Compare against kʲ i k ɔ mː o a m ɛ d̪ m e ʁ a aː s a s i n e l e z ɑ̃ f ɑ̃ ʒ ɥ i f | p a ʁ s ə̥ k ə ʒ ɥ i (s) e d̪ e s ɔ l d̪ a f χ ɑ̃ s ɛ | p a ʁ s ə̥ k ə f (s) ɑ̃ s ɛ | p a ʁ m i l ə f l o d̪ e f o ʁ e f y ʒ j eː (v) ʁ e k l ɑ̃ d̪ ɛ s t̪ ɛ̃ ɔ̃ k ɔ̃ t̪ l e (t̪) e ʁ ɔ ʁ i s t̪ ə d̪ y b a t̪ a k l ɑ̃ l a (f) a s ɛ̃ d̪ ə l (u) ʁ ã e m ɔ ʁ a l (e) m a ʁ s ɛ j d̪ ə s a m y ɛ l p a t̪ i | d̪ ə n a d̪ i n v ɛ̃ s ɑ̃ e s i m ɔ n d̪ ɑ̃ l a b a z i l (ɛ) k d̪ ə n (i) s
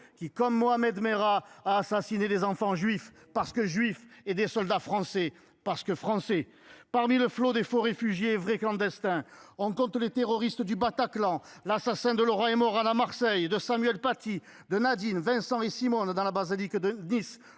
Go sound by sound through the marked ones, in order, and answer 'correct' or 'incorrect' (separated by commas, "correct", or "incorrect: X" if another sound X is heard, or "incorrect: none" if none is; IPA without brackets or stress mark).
incorrect: f, incorrect: χ, correct, correct, incorrect: s, incorrect: ɔ, incorrect: a, incorrect: i, correct